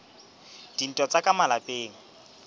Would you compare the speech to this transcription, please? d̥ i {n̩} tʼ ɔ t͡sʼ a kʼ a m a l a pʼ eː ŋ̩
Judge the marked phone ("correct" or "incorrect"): correct